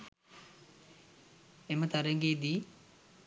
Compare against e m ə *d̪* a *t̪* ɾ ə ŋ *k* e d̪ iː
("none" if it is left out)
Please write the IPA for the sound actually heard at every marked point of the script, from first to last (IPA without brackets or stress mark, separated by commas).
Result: t̪, none, ɡ